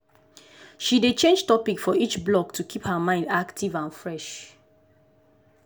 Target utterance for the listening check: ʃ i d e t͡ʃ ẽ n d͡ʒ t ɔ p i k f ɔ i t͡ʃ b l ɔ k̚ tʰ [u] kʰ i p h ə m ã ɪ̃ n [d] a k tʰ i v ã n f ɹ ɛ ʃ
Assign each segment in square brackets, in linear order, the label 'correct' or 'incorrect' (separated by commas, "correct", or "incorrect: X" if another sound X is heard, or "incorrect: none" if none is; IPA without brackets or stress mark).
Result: correct, correct